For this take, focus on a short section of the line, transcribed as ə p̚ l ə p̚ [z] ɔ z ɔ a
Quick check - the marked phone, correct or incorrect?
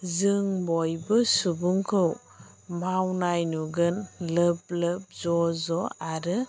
correct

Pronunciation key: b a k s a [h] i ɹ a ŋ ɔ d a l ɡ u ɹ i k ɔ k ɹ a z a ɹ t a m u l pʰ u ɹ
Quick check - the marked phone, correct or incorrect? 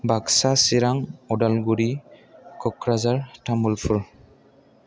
incorrect: s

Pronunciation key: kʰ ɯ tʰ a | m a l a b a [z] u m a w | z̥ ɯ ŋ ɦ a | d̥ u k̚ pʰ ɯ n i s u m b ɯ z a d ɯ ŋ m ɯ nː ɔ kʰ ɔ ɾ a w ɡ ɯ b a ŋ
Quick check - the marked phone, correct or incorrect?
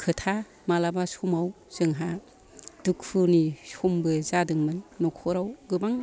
incorrect: s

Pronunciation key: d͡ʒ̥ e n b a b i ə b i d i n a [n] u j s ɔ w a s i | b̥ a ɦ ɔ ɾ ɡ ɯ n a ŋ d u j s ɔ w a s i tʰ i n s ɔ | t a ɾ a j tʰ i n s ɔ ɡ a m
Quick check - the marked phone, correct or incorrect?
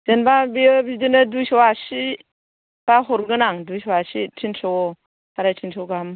incorrect: d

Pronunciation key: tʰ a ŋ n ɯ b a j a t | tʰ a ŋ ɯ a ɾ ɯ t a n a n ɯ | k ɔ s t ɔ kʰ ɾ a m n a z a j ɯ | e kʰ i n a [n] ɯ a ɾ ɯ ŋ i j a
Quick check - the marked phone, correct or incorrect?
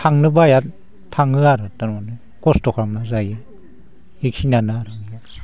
correct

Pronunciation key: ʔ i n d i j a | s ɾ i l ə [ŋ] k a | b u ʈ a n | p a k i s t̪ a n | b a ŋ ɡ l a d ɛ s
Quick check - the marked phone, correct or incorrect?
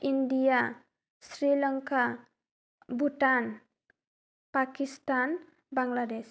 correct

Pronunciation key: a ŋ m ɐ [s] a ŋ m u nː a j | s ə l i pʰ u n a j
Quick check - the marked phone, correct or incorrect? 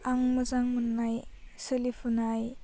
incorrect: z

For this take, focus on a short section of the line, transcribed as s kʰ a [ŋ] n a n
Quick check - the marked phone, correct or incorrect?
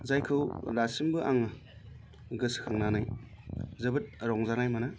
correct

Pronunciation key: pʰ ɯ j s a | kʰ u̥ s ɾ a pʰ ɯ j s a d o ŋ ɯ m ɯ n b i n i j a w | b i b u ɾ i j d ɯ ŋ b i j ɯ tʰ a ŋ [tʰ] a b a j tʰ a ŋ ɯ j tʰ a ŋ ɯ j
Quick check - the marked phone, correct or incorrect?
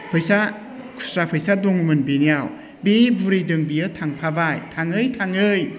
incorrect: pʰ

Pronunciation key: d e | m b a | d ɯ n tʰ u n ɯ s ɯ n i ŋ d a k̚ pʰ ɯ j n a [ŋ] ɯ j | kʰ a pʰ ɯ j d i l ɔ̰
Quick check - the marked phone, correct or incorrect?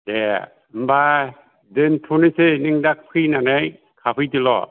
incorrect: n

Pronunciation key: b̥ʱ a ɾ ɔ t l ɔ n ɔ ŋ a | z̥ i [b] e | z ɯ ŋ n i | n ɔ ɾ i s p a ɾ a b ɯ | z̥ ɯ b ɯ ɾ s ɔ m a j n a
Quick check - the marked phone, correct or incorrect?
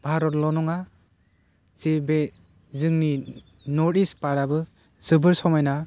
correct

